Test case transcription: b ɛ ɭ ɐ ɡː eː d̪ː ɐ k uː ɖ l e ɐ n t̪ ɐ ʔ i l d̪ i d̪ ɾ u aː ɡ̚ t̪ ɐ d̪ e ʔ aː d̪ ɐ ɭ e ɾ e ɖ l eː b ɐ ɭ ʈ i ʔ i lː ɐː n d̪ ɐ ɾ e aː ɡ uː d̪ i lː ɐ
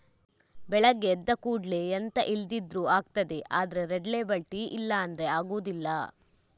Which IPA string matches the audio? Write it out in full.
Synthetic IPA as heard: b ɛ ɭ ɐ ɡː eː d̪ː ɐ k uː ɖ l e ɐ n t̪ ɐ ʔ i l d̪ i d̪ ɾ u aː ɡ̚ t̪ ɐ d̪ e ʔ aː d̪ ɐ ɾ e ɾ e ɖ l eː b ɐ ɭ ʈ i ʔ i lː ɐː n d̪ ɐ ɾ e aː ɡ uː d̪ i lː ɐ